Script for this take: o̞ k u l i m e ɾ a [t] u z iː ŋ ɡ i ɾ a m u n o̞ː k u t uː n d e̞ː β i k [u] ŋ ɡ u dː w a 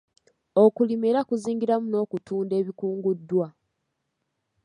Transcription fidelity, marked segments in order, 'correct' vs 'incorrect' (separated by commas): incorrect, incorrect